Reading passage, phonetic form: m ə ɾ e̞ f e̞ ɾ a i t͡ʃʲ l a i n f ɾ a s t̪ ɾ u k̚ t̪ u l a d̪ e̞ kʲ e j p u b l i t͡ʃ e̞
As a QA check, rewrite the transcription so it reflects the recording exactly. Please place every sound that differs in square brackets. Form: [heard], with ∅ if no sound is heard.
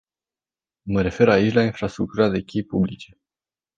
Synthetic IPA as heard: m ə ɾ e̞ f e̞ ɾ a i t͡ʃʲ l a i n f ɾ a s t̪ ɾ u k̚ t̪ u [ɾ] a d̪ e̞ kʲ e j p u b l i t͡ʃ e̞